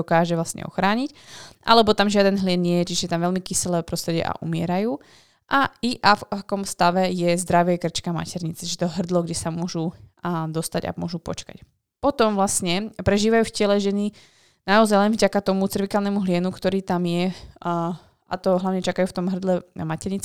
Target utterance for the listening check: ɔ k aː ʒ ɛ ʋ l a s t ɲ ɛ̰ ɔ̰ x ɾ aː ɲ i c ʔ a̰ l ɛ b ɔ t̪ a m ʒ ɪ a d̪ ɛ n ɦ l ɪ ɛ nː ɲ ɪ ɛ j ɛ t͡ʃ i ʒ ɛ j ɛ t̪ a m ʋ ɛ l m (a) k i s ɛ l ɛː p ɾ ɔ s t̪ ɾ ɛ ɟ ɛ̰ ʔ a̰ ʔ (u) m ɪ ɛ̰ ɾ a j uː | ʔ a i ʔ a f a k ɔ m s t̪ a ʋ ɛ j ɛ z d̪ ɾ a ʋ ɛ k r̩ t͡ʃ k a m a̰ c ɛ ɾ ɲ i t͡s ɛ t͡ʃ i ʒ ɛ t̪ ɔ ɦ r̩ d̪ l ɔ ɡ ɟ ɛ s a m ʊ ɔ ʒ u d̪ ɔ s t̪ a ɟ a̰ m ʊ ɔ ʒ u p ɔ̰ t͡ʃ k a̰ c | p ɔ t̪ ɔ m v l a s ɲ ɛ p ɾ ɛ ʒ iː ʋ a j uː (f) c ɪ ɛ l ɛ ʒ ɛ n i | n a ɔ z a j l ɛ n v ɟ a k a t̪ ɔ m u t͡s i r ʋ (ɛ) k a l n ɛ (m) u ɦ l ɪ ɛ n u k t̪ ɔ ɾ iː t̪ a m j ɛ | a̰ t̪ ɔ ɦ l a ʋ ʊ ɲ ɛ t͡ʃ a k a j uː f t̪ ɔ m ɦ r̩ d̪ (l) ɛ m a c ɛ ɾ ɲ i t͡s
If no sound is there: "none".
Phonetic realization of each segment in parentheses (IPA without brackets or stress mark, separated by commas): i, u, f, i, m, l